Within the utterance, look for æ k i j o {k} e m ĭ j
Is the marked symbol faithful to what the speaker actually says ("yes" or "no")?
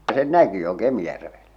yes